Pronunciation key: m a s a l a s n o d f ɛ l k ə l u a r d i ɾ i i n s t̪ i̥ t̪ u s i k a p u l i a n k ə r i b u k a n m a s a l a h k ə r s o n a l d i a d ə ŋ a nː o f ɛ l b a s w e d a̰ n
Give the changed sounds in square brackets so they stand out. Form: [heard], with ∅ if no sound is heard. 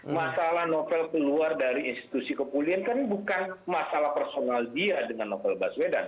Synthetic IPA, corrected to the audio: m a s a l a [h] n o [∅] f ɛ l k ə l u a r d [a] ɾ i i n s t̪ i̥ t̪ u s i k [ə] p u l i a n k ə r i b u k a n m a s a l a h [p] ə r s o n a l d i a d ə ŋ a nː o f ɛ l b a s w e d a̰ n